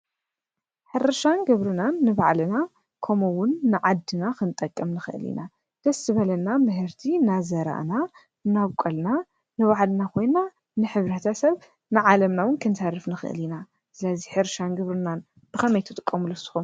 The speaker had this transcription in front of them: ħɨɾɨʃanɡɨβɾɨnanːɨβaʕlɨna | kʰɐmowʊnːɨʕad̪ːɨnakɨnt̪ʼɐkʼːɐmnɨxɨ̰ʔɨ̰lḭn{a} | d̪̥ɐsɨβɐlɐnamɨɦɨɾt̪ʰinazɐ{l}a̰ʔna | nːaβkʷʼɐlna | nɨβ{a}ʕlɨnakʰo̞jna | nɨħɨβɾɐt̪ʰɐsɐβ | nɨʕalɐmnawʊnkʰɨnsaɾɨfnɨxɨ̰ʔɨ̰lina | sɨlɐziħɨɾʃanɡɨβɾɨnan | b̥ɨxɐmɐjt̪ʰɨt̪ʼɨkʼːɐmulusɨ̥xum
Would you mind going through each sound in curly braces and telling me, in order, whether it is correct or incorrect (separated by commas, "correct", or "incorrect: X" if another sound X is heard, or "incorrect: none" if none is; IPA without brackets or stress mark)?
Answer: correct, incorrect: ɾ, correct